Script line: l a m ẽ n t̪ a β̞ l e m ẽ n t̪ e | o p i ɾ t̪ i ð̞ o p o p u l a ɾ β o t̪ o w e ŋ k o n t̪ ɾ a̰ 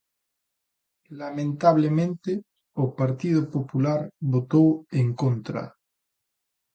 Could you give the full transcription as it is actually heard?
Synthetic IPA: l a m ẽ n t̪ a β̞ l e m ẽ n t̪ e | o p a ɾ t̪ i ð̞ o p o p u l a ɾ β o t̪ o w e ŋ k o n t̪ ɾ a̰